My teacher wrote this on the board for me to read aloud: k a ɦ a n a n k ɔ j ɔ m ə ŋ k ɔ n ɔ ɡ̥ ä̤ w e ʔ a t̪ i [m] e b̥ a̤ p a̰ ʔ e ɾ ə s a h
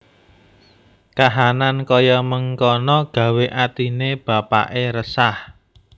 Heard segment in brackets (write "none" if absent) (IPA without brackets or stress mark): n